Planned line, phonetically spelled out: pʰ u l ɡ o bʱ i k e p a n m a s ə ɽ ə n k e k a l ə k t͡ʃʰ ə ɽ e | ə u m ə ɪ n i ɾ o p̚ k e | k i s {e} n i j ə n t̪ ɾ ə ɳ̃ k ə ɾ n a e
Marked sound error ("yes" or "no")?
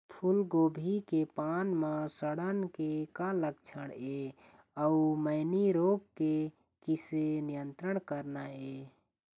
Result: no